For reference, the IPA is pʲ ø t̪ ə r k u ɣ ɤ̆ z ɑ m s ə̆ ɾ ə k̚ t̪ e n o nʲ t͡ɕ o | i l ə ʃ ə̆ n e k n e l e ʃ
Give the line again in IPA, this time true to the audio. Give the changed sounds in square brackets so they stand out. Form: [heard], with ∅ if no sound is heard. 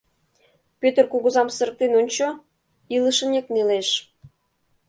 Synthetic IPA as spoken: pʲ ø t̪ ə r k u ɣ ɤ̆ z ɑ m s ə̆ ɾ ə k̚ t̪ e n o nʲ t͡ɕ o | i l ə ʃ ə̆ n e k n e l e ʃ